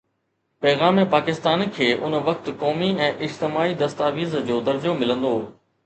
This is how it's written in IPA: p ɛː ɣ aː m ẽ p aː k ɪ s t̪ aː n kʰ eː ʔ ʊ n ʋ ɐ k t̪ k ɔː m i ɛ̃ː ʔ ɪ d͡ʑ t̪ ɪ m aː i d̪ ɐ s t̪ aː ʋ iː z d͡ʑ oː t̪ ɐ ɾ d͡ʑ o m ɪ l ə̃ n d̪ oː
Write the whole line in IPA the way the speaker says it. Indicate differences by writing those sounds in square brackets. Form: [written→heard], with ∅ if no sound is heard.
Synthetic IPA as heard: p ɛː ɣ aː m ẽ p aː k ɪ s t̪ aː n kʰ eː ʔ ʊ n ʋ ɐ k t̪ k ɔː m i ɛ̃ː ʔ ɪ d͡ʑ t̪ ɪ m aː i d̪ ɐ s t̪ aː ʋ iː z d͡ʑ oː [t̪→d̪] ɐ ɾ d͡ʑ o m ɪ l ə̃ n d̪ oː